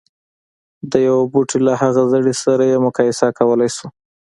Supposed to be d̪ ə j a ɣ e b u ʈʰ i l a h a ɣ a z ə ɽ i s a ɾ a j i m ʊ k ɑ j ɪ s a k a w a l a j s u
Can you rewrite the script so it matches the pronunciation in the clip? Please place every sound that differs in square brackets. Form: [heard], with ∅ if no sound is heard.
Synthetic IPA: d̪ ə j a [w] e b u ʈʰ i l a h a ɣ a z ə ɽ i s a ɾ a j [e] m ʊ k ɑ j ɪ s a k a w [ə] l a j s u